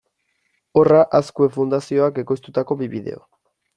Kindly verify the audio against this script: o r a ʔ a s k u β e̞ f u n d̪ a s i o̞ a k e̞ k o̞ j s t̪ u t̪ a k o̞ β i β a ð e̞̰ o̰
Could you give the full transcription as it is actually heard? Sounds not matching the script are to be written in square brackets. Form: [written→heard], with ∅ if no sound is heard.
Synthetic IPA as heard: o r a ʔ a s k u [β→∅] e̞ f u n d̪ a s i o̞ a k e̞ k o̞ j s t̪ u t̪ a k o̞ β i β [a→i] ð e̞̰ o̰

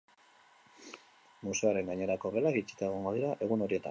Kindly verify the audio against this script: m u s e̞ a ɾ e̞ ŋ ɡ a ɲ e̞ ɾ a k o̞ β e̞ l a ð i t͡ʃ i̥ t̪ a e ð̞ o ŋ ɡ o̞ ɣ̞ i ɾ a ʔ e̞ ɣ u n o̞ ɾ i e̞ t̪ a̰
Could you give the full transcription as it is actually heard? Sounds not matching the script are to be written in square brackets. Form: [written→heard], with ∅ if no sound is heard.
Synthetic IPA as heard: m u s e̞ a ɾ e̞ ŋ ɡ a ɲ e̞ ɾ a k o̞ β e̞ l a [ð→ɣ] i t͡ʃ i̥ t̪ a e [ð̞→ɣ̞] o ŋ ɡ o̞ [ɣ̞→ð̞] i ɾ a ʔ e̞ ɣ u n o̞ ɾ i e̞ t̪ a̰

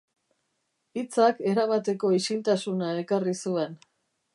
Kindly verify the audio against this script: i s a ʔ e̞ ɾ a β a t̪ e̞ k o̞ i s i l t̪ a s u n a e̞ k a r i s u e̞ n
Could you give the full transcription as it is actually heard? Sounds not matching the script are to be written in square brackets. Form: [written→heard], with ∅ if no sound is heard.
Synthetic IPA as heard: i [s→t͡s] a [ʔ→k] e̞ ɾ a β a t̪ e̞ k o̞ i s i l t̪ a s u n a e̞ k a r i s u e̞ n

